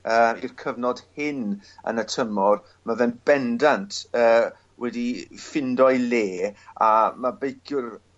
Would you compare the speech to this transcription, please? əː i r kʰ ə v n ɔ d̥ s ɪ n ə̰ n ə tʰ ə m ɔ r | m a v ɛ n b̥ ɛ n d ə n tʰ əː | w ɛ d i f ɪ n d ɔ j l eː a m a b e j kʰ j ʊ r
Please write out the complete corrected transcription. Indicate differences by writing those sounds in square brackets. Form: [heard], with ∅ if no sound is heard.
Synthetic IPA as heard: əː i r kʰ ə v n ɔ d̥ [h] ɪ n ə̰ n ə tʰ ə m ɔ r | m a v ɛ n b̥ ɛ n d [a] n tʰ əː | w ɛ d i f ɪ n d ɔ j l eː a m a b e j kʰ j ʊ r